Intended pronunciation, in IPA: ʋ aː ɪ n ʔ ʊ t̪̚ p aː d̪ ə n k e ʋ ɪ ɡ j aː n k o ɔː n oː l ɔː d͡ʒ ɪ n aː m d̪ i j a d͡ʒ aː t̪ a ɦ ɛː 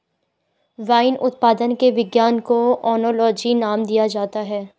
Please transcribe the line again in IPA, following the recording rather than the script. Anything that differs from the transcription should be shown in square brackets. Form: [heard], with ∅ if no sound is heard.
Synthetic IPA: ʋ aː ɪ n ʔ ʊ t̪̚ p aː d̪ ə n k e ʋ ɪ ɡ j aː n k o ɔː n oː l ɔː d͡ʒ [i] n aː m d̪ i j a d͡ʒ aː t̪ a ɦ ɛː